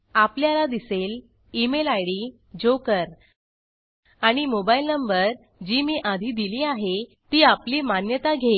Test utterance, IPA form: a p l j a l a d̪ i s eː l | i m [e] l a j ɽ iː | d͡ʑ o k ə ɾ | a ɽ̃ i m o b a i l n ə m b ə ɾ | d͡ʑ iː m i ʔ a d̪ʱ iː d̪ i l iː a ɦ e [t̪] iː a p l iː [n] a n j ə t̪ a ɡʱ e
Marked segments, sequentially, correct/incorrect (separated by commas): correct, correct, incorrect